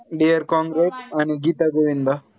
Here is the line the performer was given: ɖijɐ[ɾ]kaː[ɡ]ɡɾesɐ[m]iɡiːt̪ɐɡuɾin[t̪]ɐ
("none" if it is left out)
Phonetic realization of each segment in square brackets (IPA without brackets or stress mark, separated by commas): ɾ, ŋ, n, d̪